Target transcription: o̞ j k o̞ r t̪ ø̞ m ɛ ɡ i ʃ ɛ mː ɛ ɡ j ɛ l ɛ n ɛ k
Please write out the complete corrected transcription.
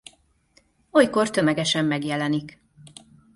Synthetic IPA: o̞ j k o̞ r t̪ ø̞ m ɛ ɡ ɛ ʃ ɛ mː ɛ ɡ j ɛ l ɛ n i k